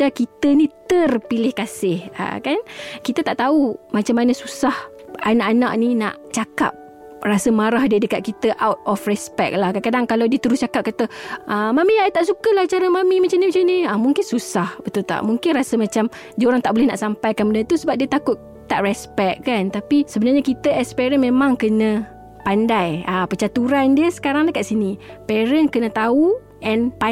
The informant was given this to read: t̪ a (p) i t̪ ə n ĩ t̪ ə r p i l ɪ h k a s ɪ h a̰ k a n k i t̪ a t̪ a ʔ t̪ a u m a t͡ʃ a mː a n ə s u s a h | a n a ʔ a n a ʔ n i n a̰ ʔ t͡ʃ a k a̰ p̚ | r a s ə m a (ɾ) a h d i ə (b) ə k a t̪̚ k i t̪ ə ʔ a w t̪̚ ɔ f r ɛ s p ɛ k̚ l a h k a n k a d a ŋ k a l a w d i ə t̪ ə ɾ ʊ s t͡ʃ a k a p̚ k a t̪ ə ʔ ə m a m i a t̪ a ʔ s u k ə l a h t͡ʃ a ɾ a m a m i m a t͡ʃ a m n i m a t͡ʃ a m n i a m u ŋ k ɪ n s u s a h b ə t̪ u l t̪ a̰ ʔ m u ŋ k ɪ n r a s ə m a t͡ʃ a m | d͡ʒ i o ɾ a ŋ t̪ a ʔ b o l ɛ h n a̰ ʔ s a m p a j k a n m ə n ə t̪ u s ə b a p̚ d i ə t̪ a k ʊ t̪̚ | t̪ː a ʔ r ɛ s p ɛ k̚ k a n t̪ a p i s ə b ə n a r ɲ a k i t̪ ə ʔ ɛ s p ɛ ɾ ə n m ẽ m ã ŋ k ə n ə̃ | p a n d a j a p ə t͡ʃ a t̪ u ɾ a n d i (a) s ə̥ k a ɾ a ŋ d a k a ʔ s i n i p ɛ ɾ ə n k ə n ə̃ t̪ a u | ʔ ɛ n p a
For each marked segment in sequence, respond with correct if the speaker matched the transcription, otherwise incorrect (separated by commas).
incorrect, correct, incorrect, incorrect